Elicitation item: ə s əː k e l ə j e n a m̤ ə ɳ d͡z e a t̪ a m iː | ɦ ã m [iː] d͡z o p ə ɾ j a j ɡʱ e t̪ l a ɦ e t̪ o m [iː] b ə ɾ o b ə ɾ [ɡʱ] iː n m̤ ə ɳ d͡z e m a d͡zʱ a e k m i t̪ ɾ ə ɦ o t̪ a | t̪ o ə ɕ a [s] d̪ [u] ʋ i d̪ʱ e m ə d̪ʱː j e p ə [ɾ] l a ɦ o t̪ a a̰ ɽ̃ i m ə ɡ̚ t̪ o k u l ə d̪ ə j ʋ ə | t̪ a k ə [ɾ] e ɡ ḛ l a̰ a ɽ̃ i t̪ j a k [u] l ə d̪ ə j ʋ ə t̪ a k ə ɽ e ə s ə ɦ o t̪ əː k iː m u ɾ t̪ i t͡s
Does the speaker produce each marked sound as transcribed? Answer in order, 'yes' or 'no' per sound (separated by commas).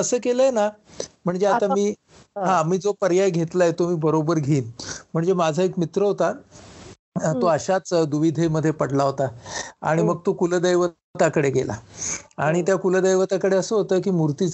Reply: yes, yes, yes, no, yes, no, no, yes